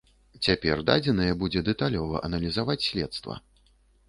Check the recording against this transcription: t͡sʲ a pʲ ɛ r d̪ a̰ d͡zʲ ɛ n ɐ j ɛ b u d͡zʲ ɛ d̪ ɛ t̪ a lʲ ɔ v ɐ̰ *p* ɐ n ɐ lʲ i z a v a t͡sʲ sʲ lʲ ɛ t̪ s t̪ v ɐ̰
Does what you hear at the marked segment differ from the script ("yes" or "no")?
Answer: yes